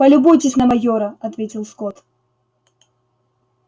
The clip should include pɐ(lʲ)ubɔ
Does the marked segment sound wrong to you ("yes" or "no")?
no